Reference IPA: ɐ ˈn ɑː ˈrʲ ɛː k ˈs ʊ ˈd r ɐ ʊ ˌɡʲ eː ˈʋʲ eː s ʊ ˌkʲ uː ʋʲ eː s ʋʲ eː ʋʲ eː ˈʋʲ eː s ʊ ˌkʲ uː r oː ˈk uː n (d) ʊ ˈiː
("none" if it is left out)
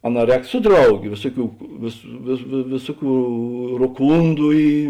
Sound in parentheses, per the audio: d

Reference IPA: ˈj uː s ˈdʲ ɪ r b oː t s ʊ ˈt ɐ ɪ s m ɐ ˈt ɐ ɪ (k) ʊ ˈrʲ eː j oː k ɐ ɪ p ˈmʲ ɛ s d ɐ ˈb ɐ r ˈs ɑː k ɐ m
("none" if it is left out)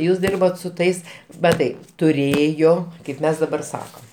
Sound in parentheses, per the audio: t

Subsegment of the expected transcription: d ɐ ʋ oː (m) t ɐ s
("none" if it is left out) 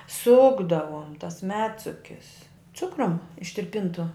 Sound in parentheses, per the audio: m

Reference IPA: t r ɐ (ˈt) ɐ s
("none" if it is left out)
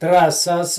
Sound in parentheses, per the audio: s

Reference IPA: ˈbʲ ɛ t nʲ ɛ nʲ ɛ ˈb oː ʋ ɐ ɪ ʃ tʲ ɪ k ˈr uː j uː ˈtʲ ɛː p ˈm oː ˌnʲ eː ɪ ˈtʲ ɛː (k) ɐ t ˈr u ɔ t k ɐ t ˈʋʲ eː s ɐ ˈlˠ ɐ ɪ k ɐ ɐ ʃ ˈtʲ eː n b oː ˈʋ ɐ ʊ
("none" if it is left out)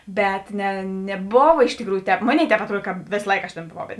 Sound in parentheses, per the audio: p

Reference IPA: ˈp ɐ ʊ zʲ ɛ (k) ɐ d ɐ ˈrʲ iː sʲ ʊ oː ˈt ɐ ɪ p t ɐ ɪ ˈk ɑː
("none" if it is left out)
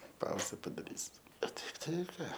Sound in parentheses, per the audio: p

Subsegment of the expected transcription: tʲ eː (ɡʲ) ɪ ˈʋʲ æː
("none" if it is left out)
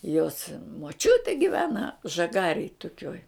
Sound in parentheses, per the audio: ɡʲ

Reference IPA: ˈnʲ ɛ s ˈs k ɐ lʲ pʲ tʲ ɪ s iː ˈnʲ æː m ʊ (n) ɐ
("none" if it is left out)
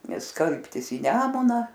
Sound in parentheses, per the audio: n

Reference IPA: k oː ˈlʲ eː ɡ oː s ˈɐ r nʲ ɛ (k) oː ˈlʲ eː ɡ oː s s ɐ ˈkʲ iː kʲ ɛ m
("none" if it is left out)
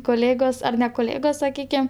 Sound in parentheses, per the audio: k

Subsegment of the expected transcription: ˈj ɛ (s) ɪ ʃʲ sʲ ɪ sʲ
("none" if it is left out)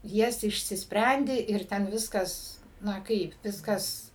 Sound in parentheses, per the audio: s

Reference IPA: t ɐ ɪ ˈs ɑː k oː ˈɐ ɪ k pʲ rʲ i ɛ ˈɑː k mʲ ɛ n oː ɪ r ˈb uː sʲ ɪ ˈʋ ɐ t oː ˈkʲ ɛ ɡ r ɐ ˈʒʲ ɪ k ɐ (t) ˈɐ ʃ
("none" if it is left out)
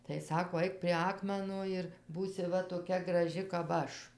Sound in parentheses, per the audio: p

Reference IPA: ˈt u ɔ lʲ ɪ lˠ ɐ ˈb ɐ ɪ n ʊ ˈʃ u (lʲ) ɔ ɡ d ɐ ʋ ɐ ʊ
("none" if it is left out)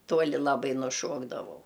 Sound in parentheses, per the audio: none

